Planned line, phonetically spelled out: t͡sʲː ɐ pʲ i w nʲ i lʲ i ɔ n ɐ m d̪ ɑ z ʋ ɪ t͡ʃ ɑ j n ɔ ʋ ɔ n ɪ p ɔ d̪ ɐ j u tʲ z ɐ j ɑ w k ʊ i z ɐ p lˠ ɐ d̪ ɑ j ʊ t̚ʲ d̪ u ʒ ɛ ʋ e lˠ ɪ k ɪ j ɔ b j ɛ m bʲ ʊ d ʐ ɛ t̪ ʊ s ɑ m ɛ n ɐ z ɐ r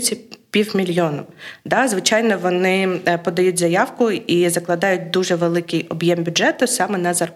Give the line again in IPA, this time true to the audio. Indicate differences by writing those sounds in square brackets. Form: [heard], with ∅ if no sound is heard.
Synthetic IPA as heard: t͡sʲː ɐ pʲ i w [mʲ] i lʲ [j] ɔ n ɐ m d̪ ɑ z ʋ ɪ t͡ʃ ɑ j n ɔ ʋ ɔ n ɪ p ɔ d̪ ɐ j u tʲ z ɐ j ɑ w k ʊ i z ɐ [k] lˠ ɐ d̪ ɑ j ʊ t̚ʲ d̪ u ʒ ɛ ʋ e lˠ ɪ k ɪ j ɔ b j ɛ m bʲ ʊ d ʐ ɛ t̪ ʊ s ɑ m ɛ n ɐ z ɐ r